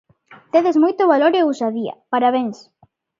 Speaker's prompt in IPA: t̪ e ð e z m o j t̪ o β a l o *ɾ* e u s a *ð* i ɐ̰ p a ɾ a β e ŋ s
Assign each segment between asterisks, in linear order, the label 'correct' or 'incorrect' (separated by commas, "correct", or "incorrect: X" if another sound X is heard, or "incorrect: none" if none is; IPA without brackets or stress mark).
correct, correct